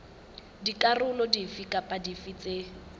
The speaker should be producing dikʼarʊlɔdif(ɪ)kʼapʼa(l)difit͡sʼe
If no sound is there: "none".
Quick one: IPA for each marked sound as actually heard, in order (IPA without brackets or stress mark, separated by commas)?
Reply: i, none